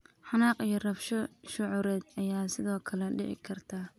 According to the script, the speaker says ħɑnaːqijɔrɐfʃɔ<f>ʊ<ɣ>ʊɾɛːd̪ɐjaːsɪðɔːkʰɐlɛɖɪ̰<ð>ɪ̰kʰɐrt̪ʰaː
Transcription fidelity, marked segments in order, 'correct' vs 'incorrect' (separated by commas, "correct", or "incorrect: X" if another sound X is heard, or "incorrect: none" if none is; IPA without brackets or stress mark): incorrect: ʃ, incorrect: ʕ, incorrect: ʕ